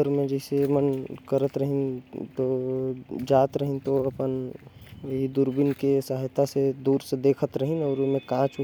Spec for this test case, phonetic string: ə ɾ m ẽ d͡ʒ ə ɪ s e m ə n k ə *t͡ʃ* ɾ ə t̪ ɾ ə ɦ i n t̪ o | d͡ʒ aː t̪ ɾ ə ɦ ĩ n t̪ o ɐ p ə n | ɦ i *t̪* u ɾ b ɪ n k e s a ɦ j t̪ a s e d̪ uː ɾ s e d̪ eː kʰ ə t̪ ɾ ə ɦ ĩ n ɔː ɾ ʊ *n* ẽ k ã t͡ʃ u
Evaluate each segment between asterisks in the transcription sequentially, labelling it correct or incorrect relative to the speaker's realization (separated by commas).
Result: incorrect, incorrect, incorrect